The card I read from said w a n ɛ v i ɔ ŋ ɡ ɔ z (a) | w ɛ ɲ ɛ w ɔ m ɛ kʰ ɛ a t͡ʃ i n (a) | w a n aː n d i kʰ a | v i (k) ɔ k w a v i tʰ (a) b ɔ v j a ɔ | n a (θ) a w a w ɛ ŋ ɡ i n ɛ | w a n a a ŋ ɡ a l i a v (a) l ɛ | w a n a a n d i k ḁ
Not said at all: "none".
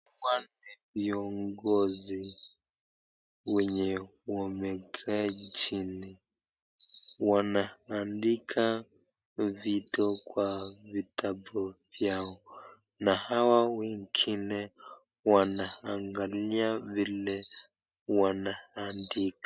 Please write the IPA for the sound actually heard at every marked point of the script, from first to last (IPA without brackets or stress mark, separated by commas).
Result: i, i, t, a, h, i